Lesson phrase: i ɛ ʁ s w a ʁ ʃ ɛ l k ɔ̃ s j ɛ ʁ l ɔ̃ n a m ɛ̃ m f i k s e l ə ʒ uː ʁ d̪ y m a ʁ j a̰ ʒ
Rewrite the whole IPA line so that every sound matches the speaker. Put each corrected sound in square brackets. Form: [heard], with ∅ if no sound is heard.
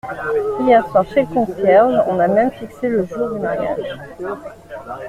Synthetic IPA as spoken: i ɛ ʁ s w a ʁ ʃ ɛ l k ɔ̃ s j ɛ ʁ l ɔ̃ n a m [ɛ] m f i k s e l ə ʒ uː ʁ d̪ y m a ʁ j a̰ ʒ